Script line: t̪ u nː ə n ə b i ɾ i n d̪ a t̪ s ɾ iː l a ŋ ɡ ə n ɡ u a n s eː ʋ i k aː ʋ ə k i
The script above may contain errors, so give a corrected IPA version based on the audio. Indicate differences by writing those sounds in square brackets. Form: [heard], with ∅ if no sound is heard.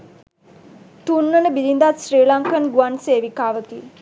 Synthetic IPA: t̪ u nː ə n ə b i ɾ i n d̪ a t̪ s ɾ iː l a ŋ [k] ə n ɡ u a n s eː ʋ i k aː ʋ ə k i